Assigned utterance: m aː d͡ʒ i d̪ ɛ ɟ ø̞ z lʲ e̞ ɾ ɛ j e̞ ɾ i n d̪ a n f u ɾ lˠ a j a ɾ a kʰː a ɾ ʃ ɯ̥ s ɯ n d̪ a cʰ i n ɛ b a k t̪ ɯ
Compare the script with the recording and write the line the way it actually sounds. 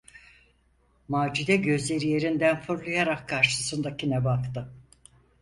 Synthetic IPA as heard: m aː d͡ʒ i d̪ ɛ ɟ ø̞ z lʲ e̞ ɾ i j e̞ ɾ i n d̪ æ n f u ɾ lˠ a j a ɾ a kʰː a ɾ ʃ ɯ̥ s ɯ n d̪ a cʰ i n ɛ b a k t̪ ɯ